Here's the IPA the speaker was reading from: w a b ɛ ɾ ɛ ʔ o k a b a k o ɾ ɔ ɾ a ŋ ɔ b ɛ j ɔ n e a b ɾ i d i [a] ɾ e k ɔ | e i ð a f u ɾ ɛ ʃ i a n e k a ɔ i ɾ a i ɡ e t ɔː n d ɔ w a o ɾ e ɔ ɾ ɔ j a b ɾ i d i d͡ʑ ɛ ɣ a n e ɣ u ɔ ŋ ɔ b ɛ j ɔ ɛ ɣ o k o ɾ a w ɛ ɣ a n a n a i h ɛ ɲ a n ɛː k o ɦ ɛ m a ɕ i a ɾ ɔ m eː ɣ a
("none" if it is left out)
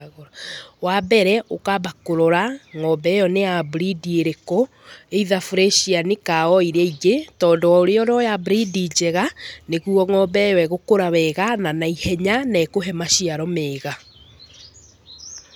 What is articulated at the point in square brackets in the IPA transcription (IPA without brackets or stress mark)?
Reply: e